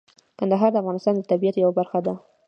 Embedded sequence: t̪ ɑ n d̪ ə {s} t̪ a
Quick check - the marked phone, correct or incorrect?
incorrect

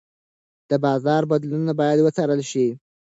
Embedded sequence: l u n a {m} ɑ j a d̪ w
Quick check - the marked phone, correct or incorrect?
incorrect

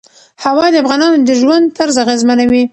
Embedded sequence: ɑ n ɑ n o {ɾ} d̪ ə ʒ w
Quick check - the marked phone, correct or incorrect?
incorrect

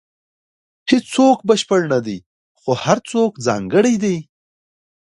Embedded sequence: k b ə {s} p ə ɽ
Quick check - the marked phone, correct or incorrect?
incorrect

